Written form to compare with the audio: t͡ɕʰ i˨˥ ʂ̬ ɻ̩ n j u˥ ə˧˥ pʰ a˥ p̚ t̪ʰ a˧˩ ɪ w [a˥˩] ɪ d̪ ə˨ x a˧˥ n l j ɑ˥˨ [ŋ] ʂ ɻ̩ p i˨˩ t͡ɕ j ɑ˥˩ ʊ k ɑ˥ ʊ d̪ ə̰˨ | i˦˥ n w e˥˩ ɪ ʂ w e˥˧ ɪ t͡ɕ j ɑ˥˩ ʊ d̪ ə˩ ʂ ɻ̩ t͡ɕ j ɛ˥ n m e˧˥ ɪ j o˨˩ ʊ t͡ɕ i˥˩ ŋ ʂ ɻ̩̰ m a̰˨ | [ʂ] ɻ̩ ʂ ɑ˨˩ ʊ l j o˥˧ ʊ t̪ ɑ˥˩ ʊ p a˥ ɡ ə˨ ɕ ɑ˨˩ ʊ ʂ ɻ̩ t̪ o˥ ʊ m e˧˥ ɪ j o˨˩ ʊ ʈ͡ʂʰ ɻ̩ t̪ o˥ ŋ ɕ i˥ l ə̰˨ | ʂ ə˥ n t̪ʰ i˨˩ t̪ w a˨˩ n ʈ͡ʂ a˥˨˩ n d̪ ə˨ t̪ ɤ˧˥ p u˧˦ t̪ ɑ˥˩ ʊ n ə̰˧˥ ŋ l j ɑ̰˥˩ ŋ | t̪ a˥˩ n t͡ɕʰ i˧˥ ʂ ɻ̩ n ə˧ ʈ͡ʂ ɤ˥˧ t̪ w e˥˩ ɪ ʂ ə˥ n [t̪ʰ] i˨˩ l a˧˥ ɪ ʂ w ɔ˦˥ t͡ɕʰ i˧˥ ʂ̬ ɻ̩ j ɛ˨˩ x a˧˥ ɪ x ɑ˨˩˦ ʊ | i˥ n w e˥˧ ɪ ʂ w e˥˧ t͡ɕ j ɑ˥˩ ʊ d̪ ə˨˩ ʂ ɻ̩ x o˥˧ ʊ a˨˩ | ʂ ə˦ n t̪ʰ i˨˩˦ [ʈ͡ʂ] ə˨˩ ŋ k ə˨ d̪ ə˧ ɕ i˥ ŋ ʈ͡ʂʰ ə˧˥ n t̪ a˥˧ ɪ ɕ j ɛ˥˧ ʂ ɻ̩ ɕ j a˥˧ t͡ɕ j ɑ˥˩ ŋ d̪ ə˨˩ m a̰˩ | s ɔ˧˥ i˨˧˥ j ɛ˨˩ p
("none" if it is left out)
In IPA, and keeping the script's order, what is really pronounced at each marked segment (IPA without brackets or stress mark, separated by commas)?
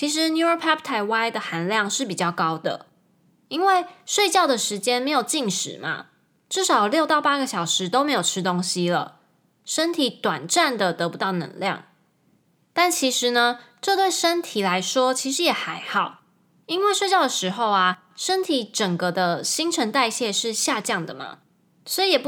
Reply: a˥, ŋ, ʈ͡ʂ, t̪ʰ, ʈ͡ʂ